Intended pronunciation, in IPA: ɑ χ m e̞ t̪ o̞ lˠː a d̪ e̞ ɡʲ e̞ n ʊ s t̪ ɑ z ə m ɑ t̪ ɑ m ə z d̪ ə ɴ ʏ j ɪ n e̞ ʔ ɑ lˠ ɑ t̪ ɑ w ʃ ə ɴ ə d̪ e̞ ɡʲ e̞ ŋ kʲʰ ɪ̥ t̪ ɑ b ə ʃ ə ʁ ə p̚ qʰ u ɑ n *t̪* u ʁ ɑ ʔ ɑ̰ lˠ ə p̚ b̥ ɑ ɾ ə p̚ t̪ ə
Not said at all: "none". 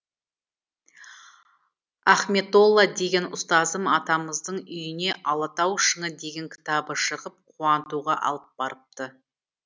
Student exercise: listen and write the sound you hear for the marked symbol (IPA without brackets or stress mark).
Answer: t̪